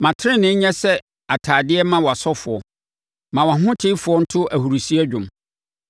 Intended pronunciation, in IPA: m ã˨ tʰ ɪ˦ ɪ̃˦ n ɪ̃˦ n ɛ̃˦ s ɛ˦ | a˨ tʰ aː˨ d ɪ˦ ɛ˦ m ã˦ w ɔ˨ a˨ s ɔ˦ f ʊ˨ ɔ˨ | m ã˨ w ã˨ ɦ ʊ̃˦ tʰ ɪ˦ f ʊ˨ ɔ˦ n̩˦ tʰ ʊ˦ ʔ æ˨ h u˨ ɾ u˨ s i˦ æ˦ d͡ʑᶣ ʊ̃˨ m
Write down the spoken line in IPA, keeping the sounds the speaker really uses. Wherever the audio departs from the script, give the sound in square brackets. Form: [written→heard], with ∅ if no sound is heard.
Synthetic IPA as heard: m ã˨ tʰ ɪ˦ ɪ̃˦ n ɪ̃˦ [n→ɲ] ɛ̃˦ s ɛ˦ | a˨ tʰ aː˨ d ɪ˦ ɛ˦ m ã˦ w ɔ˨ a˨ s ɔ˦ f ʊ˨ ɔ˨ | m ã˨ w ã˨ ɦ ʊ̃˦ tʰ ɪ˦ f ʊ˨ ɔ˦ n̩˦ tʰ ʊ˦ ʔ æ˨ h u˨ ɾ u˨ s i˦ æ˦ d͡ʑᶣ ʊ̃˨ m